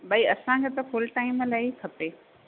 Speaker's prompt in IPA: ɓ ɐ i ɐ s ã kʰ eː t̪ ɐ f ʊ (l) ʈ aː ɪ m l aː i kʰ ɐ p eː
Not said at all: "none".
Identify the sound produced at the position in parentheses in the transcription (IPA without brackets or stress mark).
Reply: l